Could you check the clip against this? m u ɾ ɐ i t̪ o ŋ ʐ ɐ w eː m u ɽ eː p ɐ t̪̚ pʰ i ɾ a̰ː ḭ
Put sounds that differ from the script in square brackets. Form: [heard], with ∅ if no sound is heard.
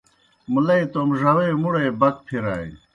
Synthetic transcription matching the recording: m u [l] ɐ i t̪ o [m] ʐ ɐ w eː m u ɽ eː [b] ɐ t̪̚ pʰ i ɾ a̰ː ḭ